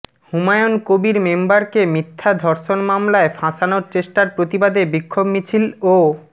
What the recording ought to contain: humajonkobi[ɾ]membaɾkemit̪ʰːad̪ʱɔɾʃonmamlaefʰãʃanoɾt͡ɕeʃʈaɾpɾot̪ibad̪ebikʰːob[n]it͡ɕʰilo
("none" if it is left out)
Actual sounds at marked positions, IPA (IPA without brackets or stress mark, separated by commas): ɾ, m